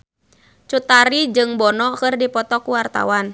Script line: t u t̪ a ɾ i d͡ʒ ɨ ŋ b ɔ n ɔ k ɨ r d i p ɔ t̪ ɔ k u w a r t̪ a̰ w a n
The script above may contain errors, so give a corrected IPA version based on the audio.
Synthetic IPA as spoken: t͡ʃ u t̪ a ɾ i d͡ʒ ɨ ŋ b ɔ n ɔ k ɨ r d i p ɔ t̪ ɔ k u w a r t̪ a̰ w a n